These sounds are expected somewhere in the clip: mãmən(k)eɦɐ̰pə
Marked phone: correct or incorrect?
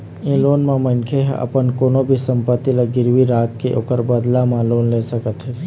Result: incorrect: kʰ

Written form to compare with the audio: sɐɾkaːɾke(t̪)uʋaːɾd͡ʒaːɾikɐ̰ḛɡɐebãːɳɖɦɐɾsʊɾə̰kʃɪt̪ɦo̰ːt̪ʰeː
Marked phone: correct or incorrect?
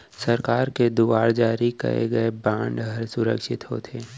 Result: incorrect: d̪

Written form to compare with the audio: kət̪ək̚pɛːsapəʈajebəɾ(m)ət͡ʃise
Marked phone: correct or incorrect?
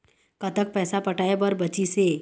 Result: incorrect: b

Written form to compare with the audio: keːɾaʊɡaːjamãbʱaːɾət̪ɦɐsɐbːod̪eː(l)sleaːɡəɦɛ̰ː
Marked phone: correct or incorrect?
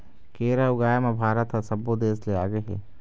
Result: incorrect: none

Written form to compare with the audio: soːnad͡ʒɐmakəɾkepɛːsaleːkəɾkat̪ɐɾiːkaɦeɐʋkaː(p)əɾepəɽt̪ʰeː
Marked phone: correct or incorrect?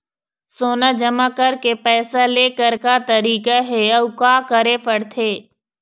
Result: incorrect: k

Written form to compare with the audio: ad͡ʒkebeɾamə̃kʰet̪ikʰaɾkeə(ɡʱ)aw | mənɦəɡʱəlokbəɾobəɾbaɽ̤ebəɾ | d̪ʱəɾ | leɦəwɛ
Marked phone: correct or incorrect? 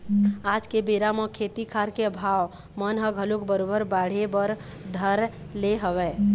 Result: incorrect: bʱ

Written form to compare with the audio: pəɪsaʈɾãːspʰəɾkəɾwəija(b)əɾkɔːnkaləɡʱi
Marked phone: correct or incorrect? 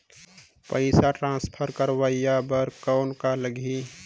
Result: correct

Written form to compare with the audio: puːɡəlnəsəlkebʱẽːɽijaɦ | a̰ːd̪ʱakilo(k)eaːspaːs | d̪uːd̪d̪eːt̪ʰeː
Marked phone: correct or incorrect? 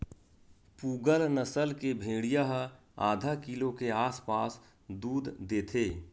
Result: correct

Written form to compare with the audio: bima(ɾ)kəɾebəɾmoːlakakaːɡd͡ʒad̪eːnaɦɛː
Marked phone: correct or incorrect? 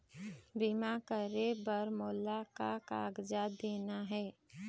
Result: incorrect: none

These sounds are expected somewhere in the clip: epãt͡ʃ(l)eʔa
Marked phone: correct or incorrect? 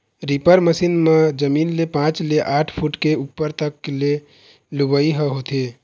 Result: correct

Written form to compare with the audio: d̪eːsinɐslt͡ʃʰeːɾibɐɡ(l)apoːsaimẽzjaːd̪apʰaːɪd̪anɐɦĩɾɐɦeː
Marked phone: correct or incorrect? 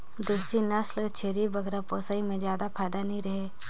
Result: incorrect: ɾ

